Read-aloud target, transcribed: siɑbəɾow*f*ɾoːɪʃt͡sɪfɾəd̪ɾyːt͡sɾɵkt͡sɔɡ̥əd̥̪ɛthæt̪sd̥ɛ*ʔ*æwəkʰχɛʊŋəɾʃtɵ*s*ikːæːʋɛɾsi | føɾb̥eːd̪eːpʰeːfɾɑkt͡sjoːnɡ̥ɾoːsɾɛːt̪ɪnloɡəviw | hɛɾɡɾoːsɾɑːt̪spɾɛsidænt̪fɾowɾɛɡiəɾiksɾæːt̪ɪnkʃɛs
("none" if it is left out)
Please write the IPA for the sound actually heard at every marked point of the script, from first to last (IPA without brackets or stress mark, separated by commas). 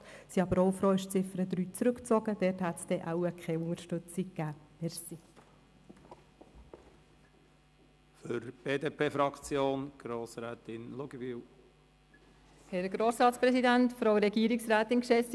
f, ʔ, t͡s